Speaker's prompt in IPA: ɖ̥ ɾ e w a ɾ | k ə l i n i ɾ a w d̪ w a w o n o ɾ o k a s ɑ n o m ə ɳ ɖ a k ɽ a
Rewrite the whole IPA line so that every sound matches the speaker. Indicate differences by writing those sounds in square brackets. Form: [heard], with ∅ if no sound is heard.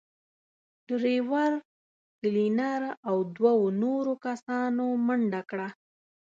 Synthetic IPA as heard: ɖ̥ ɾ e w a ɾ | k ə l i n [a] ɾ a w d̪ w a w o n o ɾ o k a s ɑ n o m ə ɳ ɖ a k ɽ a